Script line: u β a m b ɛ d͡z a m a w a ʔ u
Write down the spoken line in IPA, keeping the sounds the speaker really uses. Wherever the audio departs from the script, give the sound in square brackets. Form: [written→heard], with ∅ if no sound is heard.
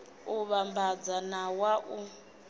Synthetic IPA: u β a m b [ɛ→a] d͡z a [m→n] a w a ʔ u